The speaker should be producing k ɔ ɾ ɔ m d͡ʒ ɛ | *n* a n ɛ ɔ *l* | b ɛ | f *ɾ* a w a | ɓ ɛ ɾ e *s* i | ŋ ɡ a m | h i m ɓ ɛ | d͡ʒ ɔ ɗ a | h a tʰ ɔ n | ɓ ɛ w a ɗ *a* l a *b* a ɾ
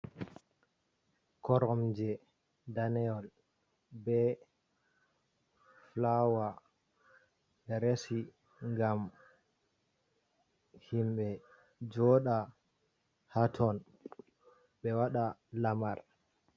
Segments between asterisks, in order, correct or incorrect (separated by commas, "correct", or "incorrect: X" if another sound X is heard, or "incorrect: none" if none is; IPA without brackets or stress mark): incorrect: d, correct, incorrect: l, correct, correct, incorrect: m